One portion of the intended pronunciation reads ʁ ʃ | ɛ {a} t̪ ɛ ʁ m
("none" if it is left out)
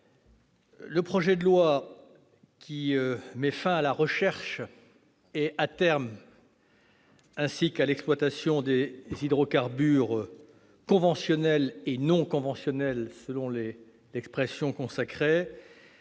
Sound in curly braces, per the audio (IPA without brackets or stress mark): a